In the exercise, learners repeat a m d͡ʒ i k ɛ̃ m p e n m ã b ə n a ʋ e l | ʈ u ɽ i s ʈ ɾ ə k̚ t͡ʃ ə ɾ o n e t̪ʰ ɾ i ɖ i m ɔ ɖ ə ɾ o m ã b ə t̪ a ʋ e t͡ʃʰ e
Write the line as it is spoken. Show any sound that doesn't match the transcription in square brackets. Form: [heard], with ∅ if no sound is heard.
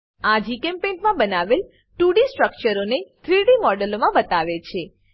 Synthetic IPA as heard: a [∅] d͡ʒ i k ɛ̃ m p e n m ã b ə n a ʋ e l | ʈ u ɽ i s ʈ ɾ ə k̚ t͡ʃ ə ɾ o n e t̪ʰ ɾ i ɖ i m ɔ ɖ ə [l] o m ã b ə t̪ a ʋ e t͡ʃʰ e